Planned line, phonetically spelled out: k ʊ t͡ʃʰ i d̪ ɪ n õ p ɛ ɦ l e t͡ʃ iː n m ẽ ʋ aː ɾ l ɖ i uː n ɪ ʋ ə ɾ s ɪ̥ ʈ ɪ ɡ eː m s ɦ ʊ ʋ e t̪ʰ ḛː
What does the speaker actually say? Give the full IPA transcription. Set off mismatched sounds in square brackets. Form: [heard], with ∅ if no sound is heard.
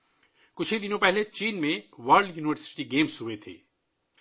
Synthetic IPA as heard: k ʊ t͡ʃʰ i d̪ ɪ n õ p ɛ ɦ l e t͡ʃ iː n m ẽ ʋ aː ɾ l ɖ [j] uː n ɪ ʋ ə ɾ s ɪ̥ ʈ [i] ɡ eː m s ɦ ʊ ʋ e t̪ʰ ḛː